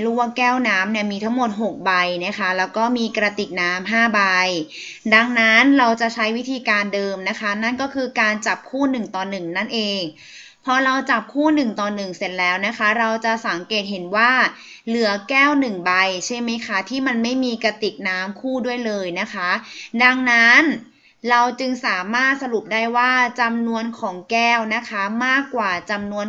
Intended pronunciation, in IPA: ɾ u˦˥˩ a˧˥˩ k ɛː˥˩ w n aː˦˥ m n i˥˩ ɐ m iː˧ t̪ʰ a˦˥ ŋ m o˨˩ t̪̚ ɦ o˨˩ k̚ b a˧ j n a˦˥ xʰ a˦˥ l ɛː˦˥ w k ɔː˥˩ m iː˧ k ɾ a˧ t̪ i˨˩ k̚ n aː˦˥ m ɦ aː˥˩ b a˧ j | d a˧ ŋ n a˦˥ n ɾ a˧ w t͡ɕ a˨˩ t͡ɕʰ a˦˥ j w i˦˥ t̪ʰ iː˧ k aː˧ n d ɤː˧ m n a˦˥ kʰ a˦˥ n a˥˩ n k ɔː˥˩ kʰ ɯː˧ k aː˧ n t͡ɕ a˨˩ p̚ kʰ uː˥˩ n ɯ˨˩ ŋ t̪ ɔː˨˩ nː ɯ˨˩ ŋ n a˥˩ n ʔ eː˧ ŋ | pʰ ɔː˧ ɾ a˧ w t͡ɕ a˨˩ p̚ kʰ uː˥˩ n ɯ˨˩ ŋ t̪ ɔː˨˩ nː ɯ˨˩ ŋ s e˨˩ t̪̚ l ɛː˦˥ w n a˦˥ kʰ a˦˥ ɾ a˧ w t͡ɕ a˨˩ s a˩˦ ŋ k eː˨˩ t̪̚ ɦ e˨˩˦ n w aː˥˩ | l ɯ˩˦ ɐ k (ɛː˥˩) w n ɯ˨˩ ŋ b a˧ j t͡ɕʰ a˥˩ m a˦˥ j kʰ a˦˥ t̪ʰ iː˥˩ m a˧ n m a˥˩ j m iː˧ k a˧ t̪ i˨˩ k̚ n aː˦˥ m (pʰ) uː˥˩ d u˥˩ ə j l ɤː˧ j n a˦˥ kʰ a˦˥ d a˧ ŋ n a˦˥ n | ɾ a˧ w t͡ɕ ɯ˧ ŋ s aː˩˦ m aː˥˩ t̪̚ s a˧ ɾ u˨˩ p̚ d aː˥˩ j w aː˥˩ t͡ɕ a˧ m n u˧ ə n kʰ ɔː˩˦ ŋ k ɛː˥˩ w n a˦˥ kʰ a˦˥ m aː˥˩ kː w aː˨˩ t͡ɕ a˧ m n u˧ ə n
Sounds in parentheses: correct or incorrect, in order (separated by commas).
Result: correct, incorrect